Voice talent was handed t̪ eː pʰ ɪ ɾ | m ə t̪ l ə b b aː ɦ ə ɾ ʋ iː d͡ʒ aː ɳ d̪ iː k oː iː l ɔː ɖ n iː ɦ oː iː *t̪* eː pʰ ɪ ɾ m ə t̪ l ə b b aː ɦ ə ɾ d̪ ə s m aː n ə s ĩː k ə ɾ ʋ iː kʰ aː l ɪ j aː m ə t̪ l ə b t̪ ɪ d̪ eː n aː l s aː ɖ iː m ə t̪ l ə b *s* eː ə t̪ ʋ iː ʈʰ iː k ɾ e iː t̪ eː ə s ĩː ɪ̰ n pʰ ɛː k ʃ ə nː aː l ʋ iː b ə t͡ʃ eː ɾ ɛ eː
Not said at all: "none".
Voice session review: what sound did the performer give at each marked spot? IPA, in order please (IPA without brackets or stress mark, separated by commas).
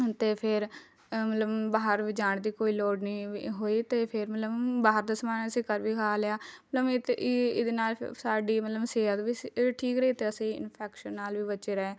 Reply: t̪, s